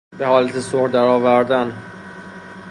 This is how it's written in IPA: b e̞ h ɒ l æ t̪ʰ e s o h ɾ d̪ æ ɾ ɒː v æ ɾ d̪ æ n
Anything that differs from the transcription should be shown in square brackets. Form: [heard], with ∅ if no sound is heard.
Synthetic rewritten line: b e̞ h [ɒː] l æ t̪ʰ e s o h ɾ d̪ æ ɾ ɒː v æ ɾ d̪ æ n

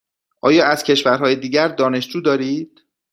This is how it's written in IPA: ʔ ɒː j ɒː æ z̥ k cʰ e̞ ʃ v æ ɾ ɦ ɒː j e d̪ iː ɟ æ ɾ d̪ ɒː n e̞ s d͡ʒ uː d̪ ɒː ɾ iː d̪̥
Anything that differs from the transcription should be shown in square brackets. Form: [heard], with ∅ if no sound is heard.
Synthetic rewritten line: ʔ ɒː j ɒː æ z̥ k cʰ e̞ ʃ v æ ɾ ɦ ɒː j e d̪ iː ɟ æ ɾ d̪ ɒː n e̞ [ʃ] d͡ʒ uː d̪ ɒː ɾ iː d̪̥

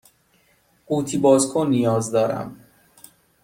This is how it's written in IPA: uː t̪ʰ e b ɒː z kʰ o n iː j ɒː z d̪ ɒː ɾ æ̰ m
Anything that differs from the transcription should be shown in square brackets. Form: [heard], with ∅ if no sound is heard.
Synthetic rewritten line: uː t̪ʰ [i] b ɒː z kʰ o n [i] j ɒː z d̪ ɒː ɾ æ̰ m

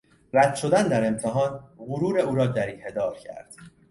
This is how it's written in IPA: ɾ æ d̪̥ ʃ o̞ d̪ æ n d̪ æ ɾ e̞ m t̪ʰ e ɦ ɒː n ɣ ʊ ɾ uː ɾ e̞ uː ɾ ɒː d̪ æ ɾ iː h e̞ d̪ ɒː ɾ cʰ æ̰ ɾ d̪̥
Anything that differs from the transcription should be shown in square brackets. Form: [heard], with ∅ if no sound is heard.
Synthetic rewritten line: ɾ æ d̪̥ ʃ o̞ d̪ æ n d̪ æ ɾ e̞ m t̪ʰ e ɦ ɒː n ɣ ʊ ɾ uː ɾ e̞ uː ɾ ɒː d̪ æ ɾ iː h e̞ d̪ ɒː ɾ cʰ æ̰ ɾ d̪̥

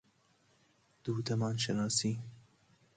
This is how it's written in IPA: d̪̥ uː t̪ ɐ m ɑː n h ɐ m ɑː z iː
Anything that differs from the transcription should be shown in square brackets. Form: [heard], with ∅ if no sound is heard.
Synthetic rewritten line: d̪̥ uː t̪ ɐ m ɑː n [ʃ] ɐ [n] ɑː [s] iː

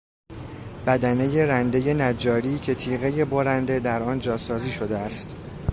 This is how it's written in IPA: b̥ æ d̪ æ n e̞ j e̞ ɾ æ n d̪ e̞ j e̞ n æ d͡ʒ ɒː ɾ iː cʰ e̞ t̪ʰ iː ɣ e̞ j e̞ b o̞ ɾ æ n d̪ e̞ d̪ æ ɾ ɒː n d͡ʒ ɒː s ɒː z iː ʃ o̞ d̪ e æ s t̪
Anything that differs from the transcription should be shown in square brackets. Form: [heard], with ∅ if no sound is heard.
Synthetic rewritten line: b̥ æ d̪ æ n e̞ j e̞ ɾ æ n d̪ e̞ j e̞ n æ d͡ʒ ɒː ɾ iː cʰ e̞ t̪ʰ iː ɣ e̞ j e̞ b o̞ ɾ æ n d̪ e̞ d̪ æ ɾ ɒː n d͡ʒ ɒː s ɒː z iː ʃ o̞ d̪ e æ s t̪

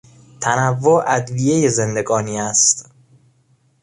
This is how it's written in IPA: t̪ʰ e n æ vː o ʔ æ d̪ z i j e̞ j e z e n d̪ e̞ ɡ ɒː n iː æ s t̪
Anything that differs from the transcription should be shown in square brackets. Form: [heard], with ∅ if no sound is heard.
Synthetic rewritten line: t̪ʰ [æ] n æ vː o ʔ æ d̪ [v] i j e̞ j e z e n d̪ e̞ ɡ ɒː n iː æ s t̪

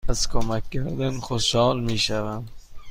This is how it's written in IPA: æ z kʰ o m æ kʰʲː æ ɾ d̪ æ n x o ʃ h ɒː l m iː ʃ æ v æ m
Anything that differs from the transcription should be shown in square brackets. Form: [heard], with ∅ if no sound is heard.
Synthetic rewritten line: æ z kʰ o m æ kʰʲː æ ɾ d̪ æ n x o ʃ h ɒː l m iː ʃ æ v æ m

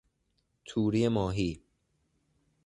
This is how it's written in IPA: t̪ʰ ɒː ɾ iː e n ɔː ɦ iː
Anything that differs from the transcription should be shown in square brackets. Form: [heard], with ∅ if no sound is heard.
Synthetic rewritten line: t̪ʰ [uː] ɾ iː e [m] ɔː ɦ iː

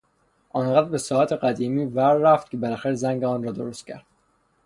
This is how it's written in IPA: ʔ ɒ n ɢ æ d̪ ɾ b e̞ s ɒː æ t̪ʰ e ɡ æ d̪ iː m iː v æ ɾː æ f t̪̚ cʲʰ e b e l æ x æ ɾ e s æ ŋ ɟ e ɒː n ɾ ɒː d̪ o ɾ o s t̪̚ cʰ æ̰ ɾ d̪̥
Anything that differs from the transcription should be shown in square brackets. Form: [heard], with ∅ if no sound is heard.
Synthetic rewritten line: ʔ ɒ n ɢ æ d̪ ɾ b e̞ s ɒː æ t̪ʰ e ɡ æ d̪ iː m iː v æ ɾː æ f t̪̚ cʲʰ e b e l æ x æ ɾ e [z] æ ŋ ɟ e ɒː n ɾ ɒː d̪ o ɾ o s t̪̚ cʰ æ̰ ɾ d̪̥

